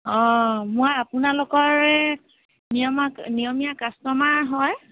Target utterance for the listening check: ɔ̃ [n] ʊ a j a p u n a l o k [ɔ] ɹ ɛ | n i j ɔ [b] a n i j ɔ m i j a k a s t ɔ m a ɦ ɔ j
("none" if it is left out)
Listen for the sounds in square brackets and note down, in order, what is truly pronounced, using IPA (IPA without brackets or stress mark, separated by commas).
m, ɔ, m